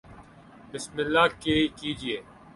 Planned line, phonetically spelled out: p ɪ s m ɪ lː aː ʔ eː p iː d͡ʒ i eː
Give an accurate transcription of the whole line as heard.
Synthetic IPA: b ɪ s m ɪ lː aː k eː k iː d͡ʒ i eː